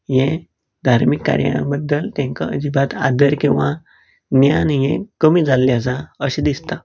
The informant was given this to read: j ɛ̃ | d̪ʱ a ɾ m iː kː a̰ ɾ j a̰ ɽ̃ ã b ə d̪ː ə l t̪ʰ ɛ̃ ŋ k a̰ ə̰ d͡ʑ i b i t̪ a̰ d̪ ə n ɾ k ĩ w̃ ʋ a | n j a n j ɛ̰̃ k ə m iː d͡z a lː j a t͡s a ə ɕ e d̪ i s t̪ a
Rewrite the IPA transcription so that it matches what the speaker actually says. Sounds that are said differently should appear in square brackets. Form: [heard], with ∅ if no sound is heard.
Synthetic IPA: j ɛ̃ | d̪ʱ a ɾ m [i] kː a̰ ɾ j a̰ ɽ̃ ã b ə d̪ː ə l [t̪] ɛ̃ ŋ k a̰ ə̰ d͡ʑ i b [a] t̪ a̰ d̪ ə [∅] ɾ k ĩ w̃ ʋ a | n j a n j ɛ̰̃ k ə m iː d͡z a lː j a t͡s a ə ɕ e d̪ i s t̪ a